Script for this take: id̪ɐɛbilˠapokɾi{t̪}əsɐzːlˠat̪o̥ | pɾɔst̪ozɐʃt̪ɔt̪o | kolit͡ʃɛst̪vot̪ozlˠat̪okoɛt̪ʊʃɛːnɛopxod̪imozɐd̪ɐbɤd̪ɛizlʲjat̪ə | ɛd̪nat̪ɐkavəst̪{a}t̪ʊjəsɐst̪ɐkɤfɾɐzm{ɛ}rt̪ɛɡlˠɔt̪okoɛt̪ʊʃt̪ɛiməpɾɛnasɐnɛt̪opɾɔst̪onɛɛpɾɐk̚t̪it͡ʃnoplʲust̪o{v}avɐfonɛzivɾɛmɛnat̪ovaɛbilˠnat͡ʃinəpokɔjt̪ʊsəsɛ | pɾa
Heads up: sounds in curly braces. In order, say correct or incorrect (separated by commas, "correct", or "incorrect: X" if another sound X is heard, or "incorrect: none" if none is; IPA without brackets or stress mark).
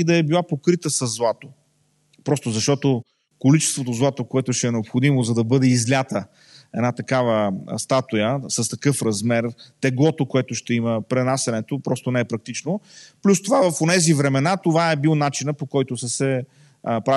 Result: correct, correct, correct, correct